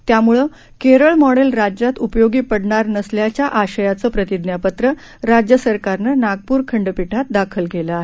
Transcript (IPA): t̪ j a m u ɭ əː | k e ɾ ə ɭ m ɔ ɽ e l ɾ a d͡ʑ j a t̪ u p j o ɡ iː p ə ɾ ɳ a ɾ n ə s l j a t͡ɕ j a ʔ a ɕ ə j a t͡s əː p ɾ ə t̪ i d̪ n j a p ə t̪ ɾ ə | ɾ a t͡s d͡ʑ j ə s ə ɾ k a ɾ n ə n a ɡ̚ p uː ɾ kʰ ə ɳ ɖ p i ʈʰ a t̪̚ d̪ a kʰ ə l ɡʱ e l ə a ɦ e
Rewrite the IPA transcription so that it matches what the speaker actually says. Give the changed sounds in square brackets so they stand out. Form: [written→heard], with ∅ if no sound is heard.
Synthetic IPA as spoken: t̪ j a m u ɭ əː | k e ɾ ə ɭ m ɔ ɽ e l ɾ a d͡ʑ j a t̪ u p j o ɡ iː p ə [ɾ→ɽ] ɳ a ɾ n ə s l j a t͡ɕ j a ʔ a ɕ ə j a t͡s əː p ɾ ə t̪ i d̪ n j a p ə t̪ ɾ ə | ɾ a [t͡s→∅] d͡ʑ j ə s ə ɾ k a ɾ n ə n a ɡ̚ p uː ɾ kʰ ə ɳ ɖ p i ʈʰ a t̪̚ d̪ a kʰ ə l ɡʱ e l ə a ɦ e